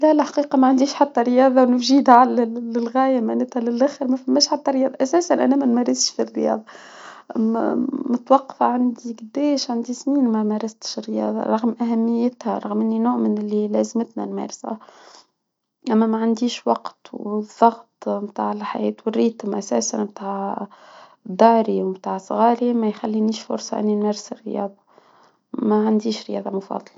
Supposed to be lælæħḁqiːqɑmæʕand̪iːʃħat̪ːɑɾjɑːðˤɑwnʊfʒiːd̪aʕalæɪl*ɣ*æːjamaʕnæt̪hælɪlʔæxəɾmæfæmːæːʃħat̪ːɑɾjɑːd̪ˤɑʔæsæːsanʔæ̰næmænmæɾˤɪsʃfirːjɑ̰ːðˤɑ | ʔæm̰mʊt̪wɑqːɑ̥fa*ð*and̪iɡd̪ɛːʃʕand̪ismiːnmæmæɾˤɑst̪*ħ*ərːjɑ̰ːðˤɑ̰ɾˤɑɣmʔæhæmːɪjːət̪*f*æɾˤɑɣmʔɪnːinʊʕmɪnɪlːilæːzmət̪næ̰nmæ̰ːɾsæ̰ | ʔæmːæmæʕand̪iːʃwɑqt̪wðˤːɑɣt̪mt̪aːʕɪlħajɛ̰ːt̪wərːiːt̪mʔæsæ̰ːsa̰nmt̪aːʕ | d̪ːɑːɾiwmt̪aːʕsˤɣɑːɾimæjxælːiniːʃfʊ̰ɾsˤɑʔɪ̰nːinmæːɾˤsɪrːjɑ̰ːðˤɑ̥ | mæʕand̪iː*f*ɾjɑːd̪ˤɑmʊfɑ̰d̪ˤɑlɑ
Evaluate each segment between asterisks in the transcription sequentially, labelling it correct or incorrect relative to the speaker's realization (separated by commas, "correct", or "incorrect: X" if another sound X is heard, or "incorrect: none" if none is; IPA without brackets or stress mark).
correct, incorrect: ʕ, incorrect: ʃ, incorrect: h, incorrect: ʃ